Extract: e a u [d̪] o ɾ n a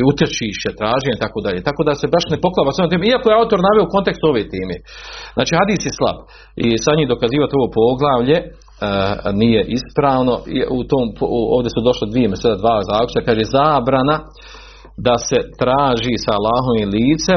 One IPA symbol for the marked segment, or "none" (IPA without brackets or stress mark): t̪